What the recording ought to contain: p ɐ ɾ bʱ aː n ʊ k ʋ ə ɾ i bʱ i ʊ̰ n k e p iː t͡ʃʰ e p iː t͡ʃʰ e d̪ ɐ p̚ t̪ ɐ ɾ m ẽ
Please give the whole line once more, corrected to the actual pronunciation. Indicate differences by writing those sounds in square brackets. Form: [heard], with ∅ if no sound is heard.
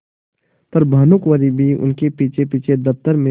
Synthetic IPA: p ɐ ɾ bʱ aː n ʊ k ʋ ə ɾ i bʱ i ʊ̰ n k e p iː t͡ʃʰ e p iː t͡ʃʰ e d̪ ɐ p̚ t̪ [ə] ɾ m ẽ